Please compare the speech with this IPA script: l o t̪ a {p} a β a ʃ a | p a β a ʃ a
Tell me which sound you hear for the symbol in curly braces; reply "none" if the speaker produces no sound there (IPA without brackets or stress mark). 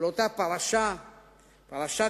p